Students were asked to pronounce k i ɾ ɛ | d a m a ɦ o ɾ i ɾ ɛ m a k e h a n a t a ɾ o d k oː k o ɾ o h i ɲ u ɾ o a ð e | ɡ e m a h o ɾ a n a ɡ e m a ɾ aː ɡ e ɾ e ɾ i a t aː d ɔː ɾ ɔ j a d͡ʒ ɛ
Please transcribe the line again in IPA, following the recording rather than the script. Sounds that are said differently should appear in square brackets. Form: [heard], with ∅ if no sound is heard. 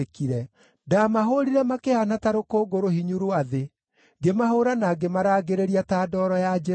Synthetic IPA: k i ɾ ɛ | d a m a ɦ o ɾ i ɾ ɛ m a k e h a n a t a ɾ o [∅] k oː [ɡ] o ɾ o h i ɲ u ɾ o a ð e | ɡ e m a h o ɾ a n a ɡ e m a ɾ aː ɡ e ɾ e ɾ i a t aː d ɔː ɾ ɔ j a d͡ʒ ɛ